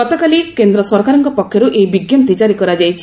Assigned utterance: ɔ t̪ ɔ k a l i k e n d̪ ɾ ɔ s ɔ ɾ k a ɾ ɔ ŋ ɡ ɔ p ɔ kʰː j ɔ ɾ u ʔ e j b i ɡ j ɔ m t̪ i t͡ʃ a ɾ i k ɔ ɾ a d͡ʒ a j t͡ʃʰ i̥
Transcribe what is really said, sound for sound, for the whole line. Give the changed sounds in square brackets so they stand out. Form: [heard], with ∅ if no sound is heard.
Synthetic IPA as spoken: ɔ t̪ ɔ k a l i k e n d̪ ɾ ɔ s ɔ ɾ k a ɾ ɔ ŋ [k] ɔ p ɔ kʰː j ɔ ɾ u ʔ e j b i ɡ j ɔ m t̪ i t͡ʃ a ɾ i k ɔ ɾ a d͡ʒ a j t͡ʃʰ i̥

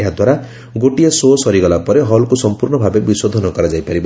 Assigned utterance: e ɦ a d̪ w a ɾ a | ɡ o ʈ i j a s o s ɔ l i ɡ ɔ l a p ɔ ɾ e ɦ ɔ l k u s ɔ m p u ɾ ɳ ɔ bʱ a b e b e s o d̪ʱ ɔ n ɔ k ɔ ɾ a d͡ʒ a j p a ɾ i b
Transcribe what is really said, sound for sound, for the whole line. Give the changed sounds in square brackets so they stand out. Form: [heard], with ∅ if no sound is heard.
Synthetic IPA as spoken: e ɦ a d̪ w a ɾ a | ɡ o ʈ i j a s o s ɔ [ɾ] i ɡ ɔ l a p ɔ ɾ e ɦ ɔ l k u s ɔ m p u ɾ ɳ ɔ bʱ a b e b [i] s o d̪ʱ ɔ n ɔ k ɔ ɾ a d͡ʒ a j p a ɾ i b

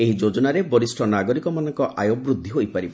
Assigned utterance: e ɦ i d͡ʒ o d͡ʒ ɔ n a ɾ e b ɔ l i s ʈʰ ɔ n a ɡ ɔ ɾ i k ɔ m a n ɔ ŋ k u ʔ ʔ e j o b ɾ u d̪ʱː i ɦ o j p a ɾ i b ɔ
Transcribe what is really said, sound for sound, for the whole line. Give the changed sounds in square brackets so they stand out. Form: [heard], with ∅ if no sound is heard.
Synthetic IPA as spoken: e ɦ i d͡ʒ o d͡ʒ ɔ n a ɾ e b ɔ [ɾ] i s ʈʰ ɔ n a ɡ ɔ ɾ i k ɔ m a n ɔ ŋ k [ɔ] ʔ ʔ [a] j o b ɾ u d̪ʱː i ɦ o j p a ɾ i b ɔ

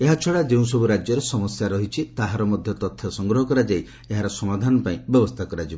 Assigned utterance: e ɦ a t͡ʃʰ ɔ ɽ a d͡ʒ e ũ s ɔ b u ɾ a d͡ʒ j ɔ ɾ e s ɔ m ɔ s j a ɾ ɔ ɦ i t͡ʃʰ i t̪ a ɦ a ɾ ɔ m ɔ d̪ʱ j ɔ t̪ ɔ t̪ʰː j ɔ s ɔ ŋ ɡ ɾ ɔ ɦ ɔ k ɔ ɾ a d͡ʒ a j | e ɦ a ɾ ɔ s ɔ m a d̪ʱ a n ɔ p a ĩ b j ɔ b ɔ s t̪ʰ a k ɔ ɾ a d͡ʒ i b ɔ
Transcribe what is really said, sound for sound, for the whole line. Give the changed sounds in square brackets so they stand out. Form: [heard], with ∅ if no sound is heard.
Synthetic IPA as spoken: e ɦ a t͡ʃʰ ɔ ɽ a d͡ʒ e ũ s ɔ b u ɾ a d͡ʒ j ɔ ɾ e s ɔ m ɔ s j a ɾ ɔ ɦ i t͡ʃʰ i t̪ a ɦ a ɾ ɔ m ɔ d̪ʱ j ɔ t̪ ɔ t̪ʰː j ɔ s ɔ ŋ ɡ ɾ ɔ ɦ ɔ k ɔ ɾ a d͡ʒ a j | e ɦ a ɾ ɔ s ɔ m a d̪ʱ a n ɔ p a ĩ b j ɔ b ɔ s t̪ʰ a k ɔ ɾ a d͡ʒ i b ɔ

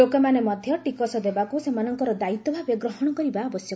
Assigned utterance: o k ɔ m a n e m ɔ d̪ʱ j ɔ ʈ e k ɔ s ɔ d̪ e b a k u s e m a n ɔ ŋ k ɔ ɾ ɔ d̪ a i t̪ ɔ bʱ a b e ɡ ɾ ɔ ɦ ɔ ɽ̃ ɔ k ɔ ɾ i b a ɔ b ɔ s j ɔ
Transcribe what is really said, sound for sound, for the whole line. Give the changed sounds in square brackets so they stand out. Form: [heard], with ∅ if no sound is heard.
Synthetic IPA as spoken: o k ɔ m a n e m ɔ d̪ʱ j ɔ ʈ [i] k ɔ s ɔ d̪ e b a k u s e m a n ɔ ŋ k ɔ ɾ ɔ d̪ a i t̪ ɔ bʱ a b e ɡ ɾ ɔ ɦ ɔ ɽ̃ ɔ k ɔ ɾ i b a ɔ b ɔ s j ɔ

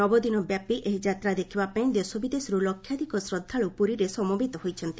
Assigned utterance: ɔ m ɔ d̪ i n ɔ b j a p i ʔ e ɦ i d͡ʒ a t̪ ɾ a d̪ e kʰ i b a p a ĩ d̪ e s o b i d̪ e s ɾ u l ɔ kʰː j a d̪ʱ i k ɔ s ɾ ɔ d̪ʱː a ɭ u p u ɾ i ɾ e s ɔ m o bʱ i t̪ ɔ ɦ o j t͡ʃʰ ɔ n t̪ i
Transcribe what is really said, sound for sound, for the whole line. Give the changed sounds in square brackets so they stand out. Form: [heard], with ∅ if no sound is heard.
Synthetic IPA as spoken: ɔ [b] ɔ d̪ i n ɔ b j a p i ʔ e ɦ i d͡ʒ a t̪ ɾ a d̪ e kʰ i b a p a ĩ d̪ e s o b i d̪ e s ɾ u l ɔ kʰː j a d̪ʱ i k ɔ s ɾ ɔ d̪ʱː a ɭ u p u ɾ i ɾ e s ɔ m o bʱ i t̪ ɔ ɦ o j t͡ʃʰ ɔ n t̪ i

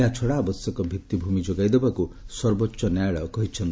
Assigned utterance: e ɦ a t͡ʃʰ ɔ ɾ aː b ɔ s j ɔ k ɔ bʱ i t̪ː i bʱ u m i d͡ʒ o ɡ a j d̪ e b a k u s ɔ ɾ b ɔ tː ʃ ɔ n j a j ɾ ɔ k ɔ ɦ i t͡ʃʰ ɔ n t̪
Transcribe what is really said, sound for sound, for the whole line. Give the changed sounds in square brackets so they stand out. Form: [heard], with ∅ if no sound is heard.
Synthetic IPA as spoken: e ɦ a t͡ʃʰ ɔ [ɽ] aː b ɔ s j ɔ k ɔ bʱ i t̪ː i bʱ u m i d͡ʒ o ɡ a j d̪ e b a k u s ɔ ɾ b ɔ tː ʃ ɔ n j a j [ɭ] ɔ k ɔ ɦ i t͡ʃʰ ɔ n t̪

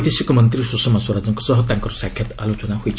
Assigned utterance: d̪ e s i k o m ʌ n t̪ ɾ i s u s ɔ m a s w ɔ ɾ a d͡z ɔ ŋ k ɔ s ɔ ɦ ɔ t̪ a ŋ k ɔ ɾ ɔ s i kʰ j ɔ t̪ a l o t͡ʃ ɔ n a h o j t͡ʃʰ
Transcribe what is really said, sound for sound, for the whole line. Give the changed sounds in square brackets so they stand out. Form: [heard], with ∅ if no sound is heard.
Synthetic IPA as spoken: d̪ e s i k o m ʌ n t̪ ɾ i s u s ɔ m a s w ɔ ɾ a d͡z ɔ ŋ k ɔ s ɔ ɦ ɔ t̪ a ŋ k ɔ ɾ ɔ s [a] kʰ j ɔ t̪ a l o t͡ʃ ɔ n a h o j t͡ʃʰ

